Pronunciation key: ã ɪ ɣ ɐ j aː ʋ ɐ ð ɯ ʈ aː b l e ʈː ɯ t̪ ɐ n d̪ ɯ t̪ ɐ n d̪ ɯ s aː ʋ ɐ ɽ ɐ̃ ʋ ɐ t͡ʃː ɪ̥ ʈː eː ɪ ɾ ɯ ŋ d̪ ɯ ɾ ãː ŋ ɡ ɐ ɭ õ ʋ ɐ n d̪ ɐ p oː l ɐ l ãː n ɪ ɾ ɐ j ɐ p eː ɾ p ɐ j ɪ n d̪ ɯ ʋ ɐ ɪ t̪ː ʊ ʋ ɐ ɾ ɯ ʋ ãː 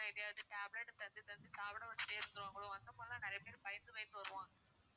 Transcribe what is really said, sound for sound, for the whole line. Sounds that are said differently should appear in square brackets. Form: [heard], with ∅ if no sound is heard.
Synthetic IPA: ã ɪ [ð] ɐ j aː ʋ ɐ ð ɯ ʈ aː b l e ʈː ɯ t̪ ɐ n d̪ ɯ t̪ ɐ n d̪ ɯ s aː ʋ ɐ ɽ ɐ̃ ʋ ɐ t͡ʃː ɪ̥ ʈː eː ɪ ɾ ɯ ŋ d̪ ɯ ɾ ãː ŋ ɡ ɐ ɭ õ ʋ ɐ n d̪ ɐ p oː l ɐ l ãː n ɪ ɾ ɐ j ɐ p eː ɾ p ɐ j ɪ n d̪ ɯ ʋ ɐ ɪ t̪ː [ɯ] ʋ ɐ ɾ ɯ ʋ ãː